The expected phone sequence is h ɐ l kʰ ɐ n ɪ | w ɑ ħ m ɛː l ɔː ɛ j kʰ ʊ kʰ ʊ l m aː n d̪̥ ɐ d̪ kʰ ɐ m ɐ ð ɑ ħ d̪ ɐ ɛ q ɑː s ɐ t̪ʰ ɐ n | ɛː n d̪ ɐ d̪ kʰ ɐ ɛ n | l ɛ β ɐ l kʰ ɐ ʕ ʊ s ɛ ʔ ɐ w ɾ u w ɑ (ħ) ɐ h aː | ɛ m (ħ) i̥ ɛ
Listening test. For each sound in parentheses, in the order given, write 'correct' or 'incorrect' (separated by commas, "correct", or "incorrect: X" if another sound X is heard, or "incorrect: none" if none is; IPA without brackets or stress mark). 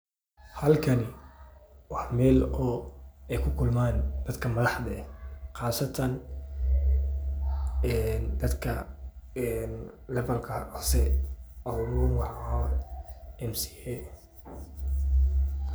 correct, incorrect: s